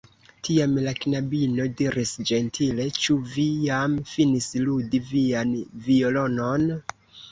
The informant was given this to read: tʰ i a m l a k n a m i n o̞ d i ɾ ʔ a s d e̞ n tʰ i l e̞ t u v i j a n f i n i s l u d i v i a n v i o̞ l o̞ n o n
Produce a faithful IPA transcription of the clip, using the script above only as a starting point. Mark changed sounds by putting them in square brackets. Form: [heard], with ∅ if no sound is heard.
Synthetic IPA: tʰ i a m l a k n a [b] i n o̞ d i ɾ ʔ [i] s [d͡ʒ] e̞ n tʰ i l e̞ [t͡ʃ] u v i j a [m] f i n i s l u d i v i a n v i o̞ l o̞ n o n